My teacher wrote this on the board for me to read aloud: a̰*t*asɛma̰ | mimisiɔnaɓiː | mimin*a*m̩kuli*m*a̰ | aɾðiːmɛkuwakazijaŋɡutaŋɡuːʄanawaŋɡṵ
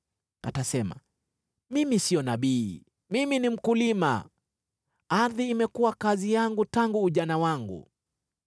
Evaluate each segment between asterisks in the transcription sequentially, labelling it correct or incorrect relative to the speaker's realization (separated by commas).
correct, incorrect, correct